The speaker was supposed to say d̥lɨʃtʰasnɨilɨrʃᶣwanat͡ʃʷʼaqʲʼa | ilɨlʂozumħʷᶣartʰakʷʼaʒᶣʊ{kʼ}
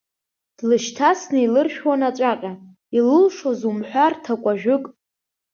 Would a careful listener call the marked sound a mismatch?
no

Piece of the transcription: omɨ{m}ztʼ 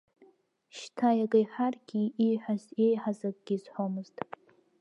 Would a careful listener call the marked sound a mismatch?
yes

